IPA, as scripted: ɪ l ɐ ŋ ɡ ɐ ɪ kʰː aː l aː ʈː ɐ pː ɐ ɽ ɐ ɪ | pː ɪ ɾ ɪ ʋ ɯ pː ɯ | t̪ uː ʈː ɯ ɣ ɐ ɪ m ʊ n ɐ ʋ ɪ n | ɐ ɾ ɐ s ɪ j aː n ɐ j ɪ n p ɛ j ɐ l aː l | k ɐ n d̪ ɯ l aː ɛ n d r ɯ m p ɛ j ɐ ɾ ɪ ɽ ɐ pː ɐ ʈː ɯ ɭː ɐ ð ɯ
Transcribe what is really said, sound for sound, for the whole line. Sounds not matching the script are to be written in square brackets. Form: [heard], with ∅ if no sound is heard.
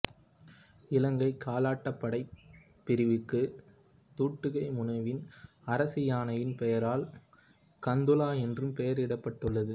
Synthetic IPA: ɪ l ɐ ŋ ɡ ɐ ɪ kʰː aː l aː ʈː ɐ pː ɐ ɽ ɐ ɪ | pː ɪ ɾ ɪ ʋ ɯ [kː] ɯ | t̪ uː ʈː ɯ ɣ ɐ ɪ m ʊ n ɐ ʋ ɪ n | ɐ ɾ ɐ s ɪ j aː n ɐ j ɪ n p ɛ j ɐ [ɾ] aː l | k ɐ n d̪ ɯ l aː ɛ n d r ɯ m p ɛ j ɐ ɾ ɪ ɽ ɐ pː ɐ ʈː ɯ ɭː ɐ ð ɯ